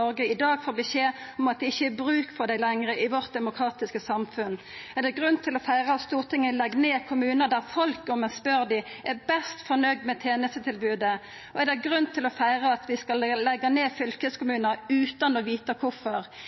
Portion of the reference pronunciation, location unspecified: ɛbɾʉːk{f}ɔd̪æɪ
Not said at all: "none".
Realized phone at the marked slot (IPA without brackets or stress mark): f